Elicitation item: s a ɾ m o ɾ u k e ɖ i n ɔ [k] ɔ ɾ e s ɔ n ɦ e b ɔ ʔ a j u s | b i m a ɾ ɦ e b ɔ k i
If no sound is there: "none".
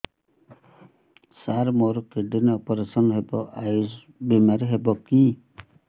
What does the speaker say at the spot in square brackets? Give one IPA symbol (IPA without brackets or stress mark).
p